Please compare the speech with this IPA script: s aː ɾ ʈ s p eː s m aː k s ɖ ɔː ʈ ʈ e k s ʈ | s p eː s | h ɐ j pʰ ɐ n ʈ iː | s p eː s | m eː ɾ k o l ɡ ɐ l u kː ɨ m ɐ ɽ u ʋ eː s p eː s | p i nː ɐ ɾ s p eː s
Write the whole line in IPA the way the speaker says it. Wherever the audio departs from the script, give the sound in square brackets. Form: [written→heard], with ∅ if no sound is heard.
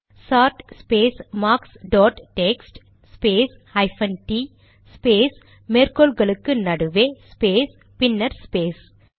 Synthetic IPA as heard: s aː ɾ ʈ s p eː s m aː k s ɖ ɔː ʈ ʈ e k s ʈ | s p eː s | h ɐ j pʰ ɐ n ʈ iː | s p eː s | m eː ɾ k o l ɡ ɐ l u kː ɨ [m→n] ɐ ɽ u ʋ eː s p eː s | p i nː ɐ ɾ s p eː s